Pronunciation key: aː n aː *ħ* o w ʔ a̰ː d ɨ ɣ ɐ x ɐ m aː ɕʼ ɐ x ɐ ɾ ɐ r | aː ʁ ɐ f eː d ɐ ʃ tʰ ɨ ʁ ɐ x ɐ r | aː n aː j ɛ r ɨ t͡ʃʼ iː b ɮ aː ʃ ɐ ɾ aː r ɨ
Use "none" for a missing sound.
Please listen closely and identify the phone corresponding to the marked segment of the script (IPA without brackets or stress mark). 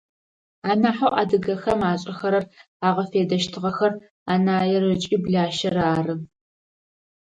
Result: ħ